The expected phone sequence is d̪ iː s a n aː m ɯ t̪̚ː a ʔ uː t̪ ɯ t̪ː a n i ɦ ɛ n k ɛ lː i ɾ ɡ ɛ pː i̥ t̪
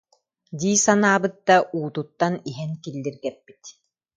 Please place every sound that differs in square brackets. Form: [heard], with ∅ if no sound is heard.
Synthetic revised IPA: d̪ iː s a n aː [b] ɯ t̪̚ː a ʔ uː t̪ [u] t̪ː a n i ɦ ɛ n k [i] lː i ɾ ɡ ɛ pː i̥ t̪